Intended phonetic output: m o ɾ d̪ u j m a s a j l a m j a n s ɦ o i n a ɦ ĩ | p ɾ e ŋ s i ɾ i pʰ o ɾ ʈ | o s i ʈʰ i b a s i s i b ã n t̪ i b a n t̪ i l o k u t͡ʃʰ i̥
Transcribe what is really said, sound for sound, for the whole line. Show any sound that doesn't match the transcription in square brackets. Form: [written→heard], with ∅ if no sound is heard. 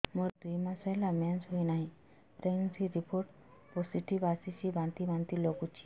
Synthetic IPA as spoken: m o ɾ d̪ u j m a s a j l a m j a n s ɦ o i n a ɦ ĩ | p ɾ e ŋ s i ɾ i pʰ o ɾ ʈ | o s i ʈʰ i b a s i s i b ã n t̪ i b a n t̪ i l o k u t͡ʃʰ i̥